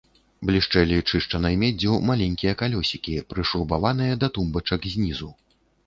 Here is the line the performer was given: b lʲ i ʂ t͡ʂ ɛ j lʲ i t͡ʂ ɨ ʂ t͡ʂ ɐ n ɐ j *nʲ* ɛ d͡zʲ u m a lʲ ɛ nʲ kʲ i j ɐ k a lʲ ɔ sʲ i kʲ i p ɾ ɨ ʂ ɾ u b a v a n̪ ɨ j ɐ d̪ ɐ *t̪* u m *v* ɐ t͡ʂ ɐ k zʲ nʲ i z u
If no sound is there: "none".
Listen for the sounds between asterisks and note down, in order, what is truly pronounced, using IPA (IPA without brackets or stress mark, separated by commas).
mʲ, t̪, b